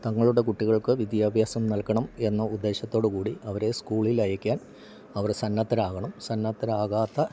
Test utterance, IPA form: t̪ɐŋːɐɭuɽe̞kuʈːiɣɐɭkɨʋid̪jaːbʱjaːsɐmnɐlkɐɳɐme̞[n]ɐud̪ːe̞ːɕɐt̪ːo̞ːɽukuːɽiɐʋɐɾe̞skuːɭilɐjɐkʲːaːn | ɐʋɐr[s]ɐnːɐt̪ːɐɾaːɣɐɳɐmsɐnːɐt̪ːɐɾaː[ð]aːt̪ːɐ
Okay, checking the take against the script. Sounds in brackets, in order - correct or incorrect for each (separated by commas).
incorrect, correct, incorrect